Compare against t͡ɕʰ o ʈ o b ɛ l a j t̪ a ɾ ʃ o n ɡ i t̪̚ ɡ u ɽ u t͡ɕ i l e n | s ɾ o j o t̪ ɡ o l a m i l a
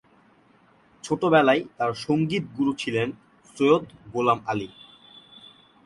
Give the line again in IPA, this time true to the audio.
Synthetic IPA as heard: t͡ɕʰ o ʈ o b ɛ l a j t̪ a ɾ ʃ o ŋ ɡ i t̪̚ ɡ u ɾ u t͡ɕʰ i l e n | s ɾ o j o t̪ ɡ o l a m a l i